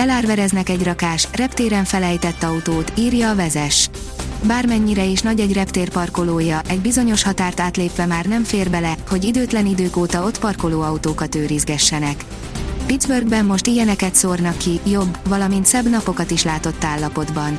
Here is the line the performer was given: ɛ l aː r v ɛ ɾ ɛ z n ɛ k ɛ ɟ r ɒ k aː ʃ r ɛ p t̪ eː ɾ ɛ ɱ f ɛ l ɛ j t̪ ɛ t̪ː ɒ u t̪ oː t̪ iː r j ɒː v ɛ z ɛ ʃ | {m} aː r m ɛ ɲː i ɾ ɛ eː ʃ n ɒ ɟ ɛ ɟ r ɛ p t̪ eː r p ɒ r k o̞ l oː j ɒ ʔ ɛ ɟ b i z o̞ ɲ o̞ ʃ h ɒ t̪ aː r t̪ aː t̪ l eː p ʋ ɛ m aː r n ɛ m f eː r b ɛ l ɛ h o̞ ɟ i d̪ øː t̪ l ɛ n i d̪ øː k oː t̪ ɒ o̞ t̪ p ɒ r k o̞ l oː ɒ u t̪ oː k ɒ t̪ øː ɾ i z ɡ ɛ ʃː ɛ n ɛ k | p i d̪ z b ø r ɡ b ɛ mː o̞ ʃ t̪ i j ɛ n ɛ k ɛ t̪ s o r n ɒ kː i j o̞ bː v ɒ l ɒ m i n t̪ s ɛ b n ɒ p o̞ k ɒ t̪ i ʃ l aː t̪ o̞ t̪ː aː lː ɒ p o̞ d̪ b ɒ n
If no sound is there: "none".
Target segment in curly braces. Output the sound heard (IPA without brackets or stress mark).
b